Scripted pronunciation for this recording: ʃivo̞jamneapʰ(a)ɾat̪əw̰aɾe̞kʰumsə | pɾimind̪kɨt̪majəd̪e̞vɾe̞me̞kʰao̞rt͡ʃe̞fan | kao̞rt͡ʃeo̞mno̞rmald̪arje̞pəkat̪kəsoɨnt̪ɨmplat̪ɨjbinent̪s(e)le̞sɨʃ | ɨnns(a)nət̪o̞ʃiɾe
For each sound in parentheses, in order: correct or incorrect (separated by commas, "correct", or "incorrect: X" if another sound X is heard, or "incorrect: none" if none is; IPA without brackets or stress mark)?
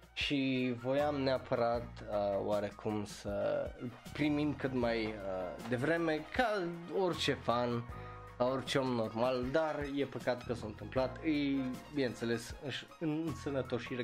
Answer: incorrect: ə, correct, incorrect: ə